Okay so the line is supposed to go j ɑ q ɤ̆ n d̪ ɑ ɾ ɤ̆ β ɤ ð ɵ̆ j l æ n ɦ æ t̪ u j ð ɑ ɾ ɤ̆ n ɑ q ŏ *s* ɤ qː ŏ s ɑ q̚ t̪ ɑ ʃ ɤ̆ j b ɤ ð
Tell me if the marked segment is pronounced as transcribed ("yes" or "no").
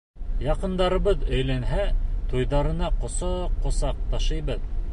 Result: yes